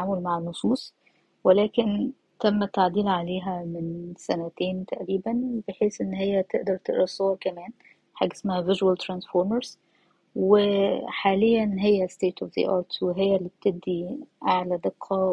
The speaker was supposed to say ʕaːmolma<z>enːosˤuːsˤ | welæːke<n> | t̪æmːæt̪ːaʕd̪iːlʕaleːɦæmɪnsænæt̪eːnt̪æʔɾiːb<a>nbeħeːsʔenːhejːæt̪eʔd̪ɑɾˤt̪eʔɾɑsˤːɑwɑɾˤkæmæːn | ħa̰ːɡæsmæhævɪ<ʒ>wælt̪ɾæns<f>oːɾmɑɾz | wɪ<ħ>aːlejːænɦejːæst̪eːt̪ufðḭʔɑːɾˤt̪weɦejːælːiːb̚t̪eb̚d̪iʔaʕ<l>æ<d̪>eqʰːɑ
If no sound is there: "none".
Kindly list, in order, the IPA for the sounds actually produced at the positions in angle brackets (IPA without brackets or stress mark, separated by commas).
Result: ʕ, n, æ, ʒ, f, ħ, l, d̪